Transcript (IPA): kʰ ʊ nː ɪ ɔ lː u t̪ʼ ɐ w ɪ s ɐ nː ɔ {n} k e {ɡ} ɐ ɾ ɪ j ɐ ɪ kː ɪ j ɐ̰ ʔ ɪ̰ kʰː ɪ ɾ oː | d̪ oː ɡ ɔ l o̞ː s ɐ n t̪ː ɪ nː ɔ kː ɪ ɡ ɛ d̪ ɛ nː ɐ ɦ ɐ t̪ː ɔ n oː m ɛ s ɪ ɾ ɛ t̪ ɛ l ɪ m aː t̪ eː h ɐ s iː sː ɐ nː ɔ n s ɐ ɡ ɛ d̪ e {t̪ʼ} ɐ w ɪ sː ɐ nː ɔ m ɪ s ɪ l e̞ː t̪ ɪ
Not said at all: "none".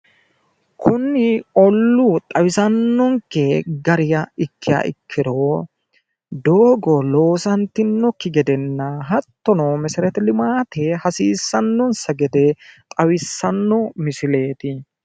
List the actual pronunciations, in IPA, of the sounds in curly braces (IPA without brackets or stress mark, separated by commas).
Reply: ŋ, ɡ, t̪ʼ